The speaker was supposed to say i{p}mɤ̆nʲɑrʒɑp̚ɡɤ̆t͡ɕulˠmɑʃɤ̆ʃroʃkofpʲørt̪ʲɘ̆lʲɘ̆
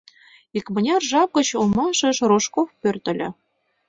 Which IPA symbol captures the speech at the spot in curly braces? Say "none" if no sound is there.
k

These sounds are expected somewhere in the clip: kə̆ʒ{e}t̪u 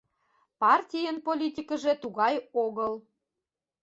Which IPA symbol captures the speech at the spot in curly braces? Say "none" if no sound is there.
e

